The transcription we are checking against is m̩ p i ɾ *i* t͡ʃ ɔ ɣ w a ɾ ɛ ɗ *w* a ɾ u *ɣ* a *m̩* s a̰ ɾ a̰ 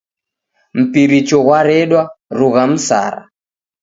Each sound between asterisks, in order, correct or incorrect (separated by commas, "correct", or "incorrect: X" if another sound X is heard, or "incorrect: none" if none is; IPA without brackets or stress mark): correct, correct, correct, correct